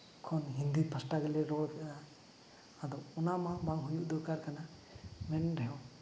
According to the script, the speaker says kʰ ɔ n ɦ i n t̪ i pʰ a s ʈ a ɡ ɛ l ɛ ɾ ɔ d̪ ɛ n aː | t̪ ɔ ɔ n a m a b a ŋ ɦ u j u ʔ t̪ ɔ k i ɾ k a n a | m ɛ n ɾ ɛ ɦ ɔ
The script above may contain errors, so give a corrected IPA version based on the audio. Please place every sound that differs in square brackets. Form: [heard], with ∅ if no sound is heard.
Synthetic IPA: kʰ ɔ n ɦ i n [d̪] i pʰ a s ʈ a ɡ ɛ l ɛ ɾ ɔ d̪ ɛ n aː | [d̪] ɔ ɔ n a m a b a ŋ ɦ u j u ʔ [d̪] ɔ k [a] ɾ k a n a | m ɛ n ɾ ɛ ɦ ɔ